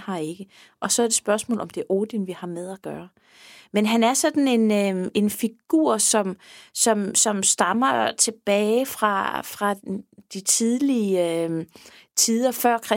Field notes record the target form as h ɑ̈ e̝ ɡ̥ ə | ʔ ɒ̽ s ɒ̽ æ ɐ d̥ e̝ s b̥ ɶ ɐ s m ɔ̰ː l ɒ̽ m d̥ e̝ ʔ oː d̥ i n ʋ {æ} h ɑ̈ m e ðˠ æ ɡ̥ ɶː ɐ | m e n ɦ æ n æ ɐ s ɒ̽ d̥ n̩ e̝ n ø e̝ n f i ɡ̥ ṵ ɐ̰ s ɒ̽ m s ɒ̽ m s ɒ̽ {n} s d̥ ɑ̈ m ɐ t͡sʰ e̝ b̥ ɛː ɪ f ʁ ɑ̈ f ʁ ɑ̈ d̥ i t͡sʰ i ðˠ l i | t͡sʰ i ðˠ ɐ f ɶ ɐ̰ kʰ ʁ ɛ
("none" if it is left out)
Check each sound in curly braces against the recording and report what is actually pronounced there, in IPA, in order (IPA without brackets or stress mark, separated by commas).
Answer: i, m